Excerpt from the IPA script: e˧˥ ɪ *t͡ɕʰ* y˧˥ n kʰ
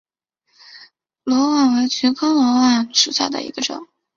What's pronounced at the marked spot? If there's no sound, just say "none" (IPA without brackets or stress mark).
t͡ɕʰ